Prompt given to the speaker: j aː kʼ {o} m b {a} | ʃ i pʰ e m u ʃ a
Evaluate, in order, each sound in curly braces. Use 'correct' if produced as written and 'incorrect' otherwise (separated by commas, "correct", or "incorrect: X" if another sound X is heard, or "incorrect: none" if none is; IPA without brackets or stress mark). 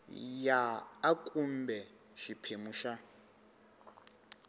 incorrect: u, incorrect: ɛ